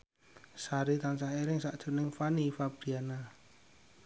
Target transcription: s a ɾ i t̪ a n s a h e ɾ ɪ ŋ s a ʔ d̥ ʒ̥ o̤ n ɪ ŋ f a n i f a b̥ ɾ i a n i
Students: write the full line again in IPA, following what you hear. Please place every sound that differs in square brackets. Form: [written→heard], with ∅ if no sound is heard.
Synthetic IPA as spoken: s a ɾ i t̪ a n s a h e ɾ ɪ ŋ s a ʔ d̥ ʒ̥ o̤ n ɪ ŋ f a n i f a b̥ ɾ i a n [i→a]